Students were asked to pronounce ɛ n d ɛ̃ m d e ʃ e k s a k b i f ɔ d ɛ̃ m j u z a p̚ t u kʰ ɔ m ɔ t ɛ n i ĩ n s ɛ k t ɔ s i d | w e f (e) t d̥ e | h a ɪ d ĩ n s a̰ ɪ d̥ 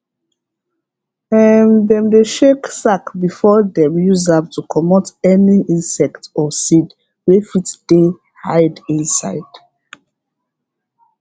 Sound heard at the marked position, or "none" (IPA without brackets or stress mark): i